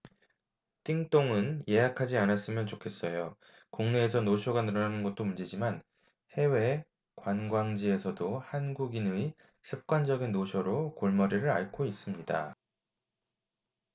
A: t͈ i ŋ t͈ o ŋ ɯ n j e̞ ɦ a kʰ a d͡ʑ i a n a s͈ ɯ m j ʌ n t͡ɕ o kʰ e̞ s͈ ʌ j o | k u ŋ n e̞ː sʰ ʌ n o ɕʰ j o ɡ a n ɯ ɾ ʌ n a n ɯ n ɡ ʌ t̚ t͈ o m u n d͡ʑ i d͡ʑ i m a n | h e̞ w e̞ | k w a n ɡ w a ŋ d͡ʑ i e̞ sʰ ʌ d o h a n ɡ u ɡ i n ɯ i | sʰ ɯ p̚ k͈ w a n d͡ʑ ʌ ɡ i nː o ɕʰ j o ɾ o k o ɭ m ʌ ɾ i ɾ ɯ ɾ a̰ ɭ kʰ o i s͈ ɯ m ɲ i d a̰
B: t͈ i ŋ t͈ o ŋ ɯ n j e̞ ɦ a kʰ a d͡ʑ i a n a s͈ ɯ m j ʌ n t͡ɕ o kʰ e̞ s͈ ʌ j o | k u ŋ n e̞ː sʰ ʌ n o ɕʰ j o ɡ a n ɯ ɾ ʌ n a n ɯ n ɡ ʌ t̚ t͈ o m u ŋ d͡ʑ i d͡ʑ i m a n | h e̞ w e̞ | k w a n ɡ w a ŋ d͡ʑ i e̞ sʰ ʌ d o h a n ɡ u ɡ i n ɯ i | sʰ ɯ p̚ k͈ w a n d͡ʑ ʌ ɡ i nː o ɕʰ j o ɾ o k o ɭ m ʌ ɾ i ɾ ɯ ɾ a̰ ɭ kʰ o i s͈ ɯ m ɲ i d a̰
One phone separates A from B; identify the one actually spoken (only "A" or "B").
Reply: A